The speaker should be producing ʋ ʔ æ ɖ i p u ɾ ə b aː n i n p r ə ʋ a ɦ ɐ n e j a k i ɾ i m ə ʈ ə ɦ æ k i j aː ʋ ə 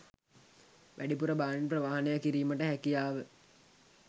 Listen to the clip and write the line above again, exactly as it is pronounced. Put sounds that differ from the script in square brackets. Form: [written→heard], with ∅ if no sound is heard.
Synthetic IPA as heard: ʋ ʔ æ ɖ i p u ɾ ə b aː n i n p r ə ʋ a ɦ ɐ n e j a k i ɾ [i→iː] m ə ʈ ə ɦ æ k i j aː ʋ ə